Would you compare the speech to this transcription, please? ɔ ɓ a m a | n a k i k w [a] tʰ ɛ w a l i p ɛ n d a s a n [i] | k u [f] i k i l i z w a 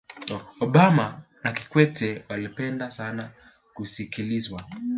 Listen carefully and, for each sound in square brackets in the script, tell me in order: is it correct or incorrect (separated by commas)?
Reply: incorrect, incorrect, incorrect